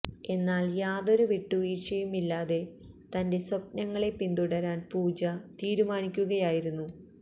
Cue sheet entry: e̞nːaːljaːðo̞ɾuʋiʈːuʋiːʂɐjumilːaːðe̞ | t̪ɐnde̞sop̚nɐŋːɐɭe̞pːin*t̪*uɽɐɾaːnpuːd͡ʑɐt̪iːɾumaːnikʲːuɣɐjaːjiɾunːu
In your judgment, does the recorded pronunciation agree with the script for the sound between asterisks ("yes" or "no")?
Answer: no